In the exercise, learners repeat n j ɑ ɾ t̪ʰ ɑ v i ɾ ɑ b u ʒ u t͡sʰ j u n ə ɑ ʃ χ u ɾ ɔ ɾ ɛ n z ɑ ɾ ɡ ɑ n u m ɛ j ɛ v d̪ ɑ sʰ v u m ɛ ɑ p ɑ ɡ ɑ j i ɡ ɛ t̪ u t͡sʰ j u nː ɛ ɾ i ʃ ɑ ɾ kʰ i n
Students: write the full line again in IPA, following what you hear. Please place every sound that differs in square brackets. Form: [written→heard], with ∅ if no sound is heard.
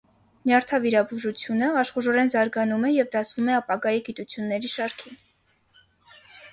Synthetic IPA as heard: n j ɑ ɾ t̪ʰ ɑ v i ɾ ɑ b u ʒ u t͡sʰ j u n ə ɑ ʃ χ u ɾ ɔ ɾ ɛ n z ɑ ɾ ɡ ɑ n u m ɛ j ɛ v d̪ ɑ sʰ v u m ɛ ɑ p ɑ ɡ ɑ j i ɡ [ɛ→i] t̪ u t͡sʰ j u nː ɛ ɾ i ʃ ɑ ɾ kʰ i n